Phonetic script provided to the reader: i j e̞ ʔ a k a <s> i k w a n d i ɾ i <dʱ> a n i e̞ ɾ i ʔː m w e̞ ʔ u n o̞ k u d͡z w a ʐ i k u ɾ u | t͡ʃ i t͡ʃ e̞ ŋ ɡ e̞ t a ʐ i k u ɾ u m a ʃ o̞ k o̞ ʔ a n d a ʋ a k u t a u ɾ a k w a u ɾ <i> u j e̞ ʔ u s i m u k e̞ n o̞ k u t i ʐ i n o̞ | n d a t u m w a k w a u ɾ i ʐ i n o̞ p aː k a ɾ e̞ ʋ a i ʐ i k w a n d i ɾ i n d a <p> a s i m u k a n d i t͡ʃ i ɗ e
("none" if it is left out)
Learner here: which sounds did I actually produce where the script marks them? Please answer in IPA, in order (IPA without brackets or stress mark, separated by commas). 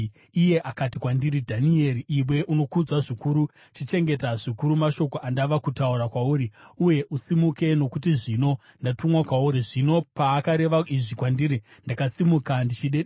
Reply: t, dʱ, i, k